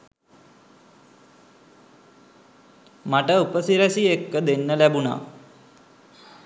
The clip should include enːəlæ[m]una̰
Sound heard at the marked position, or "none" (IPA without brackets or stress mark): b